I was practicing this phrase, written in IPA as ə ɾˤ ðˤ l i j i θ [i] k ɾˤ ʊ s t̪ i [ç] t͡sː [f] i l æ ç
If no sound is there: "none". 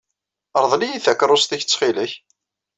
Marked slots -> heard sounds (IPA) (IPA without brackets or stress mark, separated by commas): æ, ç, χ